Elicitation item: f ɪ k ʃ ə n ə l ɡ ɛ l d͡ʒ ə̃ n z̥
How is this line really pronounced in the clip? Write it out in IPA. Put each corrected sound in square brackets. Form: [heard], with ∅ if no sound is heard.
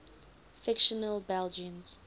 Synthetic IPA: f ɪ k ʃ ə n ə l [b] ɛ l d͡ʒ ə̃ n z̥